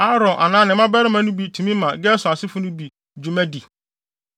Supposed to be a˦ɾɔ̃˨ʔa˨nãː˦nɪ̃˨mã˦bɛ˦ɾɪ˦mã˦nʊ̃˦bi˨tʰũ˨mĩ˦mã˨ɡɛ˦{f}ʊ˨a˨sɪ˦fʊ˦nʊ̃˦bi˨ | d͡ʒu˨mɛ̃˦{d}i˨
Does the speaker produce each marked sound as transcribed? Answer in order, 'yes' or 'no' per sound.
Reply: no, yes

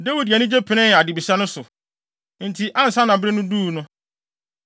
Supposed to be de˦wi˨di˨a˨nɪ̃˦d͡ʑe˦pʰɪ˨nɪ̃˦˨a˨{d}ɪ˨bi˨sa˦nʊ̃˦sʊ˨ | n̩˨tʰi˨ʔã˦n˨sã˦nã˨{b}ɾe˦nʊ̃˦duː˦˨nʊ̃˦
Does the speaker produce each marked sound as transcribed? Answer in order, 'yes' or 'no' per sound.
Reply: yes, yes

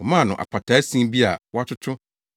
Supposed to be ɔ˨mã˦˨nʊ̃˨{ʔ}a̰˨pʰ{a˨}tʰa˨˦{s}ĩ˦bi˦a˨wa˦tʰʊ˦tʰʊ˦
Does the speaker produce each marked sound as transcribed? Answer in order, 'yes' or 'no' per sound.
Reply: yes, yes, yes

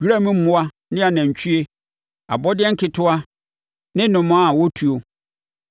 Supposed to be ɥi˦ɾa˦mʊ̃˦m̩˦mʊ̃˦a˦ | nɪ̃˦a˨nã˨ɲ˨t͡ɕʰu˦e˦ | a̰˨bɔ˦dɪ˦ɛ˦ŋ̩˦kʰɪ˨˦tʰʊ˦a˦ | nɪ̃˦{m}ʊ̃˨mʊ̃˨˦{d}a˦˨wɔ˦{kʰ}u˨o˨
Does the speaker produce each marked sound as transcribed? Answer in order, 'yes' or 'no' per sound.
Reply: no, no, no

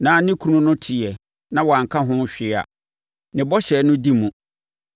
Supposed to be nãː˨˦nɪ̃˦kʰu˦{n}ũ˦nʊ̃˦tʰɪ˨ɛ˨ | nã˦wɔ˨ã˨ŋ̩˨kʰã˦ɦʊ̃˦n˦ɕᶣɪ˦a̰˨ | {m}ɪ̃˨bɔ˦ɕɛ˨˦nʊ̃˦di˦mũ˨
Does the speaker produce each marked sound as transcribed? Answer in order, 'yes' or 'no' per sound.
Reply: yes, no

